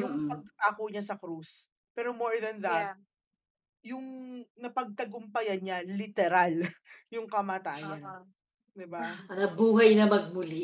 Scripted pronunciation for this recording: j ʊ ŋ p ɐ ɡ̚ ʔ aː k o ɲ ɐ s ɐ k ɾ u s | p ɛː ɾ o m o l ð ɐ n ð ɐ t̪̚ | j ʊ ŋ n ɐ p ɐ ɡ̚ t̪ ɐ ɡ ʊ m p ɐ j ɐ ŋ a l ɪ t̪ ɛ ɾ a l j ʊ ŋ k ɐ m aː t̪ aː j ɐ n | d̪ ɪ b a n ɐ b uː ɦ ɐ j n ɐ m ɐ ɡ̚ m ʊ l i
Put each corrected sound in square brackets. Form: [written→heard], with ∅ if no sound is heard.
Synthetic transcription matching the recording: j ʊ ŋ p ɐ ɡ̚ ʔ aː k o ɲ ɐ s ɐ k ɾ u s | p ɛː ɾ o m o [l→ɹ] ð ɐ n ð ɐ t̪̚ | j ʊ ŋ n ɐ p ɐ ɡ̚ t̪ ɐ ɡ ʊ m p ɐ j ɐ [ŋ→ɲ] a l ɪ t̪ ɛ ɾ a l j ʊ ŋ k ɐ m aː t̪ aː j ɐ n | d̪ ɪ b a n ɐ b uː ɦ ɐ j n ɐ m ɐ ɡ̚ m ʊ l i